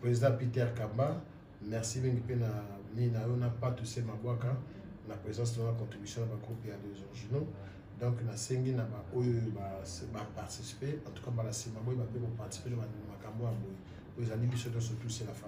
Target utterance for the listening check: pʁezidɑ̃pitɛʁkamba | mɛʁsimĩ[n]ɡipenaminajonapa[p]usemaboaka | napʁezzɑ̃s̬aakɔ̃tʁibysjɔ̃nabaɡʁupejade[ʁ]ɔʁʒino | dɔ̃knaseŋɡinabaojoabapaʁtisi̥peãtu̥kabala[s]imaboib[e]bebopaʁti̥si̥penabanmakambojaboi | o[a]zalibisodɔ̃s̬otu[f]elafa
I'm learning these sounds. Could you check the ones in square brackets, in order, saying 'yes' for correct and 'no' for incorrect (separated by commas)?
no, no, no, yes, no, no, no